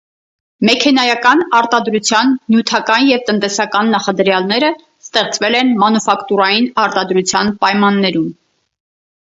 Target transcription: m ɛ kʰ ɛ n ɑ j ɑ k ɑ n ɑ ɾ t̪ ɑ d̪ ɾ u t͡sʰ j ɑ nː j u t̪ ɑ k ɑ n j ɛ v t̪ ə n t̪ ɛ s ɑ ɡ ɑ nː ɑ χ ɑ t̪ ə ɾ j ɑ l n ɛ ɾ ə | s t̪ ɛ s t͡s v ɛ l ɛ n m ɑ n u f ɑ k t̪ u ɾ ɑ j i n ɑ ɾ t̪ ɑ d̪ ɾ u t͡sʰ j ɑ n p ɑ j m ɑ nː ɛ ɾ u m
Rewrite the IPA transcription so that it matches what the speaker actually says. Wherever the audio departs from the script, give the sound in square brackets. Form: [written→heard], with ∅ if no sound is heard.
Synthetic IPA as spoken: m ɛ kʰ ɛ n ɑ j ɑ k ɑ n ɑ ɾ t̪ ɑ d̪ ɾ u t͡sʰ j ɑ nː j u [t̪→t̪ʰ] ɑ k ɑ n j ɛ v t̪ ə n t̪ ɛ s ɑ [ɡ→k] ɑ nː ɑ χ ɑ [t̪→d̪] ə ɾ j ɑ l n ɛ ɾ ə | s t̪ ɛ [s→χ] t͡s v ɛ l ɛ n m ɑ n u f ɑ k t̪ u ɾ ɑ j i n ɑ ɾ t̪ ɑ d̪ ɾ u t͡sʰ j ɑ n p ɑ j m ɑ nː ɛ ɾ u m

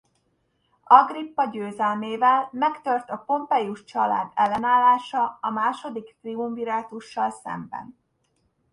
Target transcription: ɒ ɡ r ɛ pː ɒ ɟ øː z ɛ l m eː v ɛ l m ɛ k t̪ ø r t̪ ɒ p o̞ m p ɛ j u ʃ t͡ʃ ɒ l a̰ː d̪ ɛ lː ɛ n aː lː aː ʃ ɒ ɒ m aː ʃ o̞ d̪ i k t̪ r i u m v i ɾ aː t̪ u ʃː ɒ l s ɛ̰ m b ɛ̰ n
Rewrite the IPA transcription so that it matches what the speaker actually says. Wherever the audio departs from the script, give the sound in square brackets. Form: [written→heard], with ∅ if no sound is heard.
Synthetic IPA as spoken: ɒ ɡ r [ɛ→i] pː ɒ ɟ øː z ɛ l m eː v ɛ l m ɛ k t̪ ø r t̪ ɒ p o̞ m p ɛ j u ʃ t͡ʃ ɒ l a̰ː d̪ ɛ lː ɛ n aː lː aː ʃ ɒ ɒ m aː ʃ o̞ d̪ i k t̪ r i u m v i ɾ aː t̪ u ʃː ɒ l s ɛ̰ m b ɛ̰ n

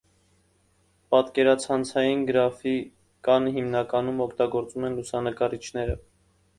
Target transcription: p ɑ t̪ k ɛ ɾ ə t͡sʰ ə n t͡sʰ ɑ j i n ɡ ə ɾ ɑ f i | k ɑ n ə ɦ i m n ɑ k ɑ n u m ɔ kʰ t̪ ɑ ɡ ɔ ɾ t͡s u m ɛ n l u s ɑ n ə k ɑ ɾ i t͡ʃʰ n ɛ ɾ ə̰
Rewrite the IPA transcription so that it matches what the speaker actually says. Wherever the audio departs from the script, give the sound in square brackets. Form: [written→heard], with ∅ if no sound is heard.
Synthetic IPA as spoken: p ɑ t̪ k ɛ ɾ [ə→ɑ] t͡sʰ [ə→ɑ] n t͡sʰ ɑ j i n ɡ ə ɾ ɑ f i | k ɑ n ə ɦ i m n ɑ k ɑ n u m ɔ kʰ t̪ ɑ ɡ ɔ ɾ t͡s u m ɛ n l u s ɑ n ə k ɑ ɾ i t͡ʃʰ n ɛ ɾ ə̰

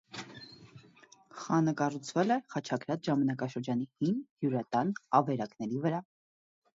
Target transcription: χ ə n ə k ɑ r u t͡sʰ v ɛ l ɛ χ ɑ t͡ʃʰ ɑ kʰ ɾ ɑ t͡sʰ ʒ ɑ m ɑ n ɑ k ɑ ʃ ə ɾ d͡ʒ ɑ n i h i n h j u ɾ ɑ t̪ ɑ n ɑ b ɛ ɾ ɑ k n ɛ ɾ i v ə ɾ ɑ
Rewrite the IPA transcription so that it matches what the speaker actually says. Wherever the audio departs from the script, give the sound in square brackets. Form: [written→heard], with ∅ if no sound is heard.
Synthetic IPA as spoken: χ [ə→ɑ] n ə k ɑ r u t͡sʰ v ɛ l ɛ χ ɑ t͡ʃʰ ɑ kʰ ɾ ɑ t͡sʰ ʒ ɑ m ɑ n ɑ k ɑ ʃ ə ɾ d͡ʒ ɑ n i h i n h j u ɾ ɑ t̪ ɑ n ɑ [b→v] ɛ ɾ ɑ k n ɛ ɾ i v ə ɾ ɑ

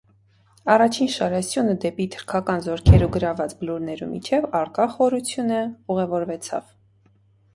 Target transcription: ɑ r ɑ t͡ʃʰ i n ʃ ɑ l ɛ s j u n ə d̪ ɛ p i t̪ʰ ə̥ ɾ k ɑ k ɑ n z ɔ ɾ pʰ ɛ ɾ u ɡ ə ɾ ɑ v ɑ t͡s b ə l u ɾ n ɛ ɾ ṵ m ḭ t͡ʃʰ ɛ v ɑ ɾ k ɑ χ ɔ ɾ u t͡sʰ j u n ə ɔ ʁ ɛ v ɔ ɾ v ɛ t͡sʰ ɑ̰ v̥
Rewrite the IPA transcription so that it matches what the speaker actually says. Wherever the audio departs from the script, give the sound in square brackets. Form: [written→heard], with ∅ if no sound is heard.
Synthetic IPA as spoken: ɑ r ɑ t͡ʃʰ i n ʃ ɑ [l→ɾ] ɛ s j u n ə d̪ ɛ p i t̪ʰ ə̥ ɾ [k→kʰ] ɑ k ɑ n z ɔ ɾ [pʰ→kʰ] ɛ ɾ u ɡ ə ɾ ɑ v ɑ t͡s b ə l u ɾ n ɛ ɾ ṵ m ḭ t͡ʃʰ ɛ v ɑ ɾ k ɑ χ ɔ ɾ u t͡sʰ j u n ə [ɔ→u] ʁ ɛ v ɔ ɾ v ɛ t͡sʰ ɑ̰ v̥

